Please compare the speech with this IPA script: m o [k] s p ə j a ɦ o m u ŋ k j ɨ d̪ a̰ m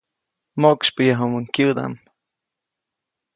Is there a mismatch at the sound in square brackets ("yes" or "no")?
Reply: no